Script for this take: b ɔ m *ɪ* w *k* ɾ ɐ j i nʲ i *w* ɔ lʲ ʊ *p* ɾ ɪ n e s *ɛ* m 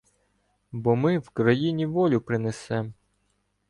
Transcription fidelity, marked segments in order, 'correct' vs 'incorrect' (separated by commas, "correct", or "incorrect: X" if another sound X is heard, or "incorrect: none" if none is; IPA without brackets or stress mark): correct, correct, incorrect: ʋ, correct, correct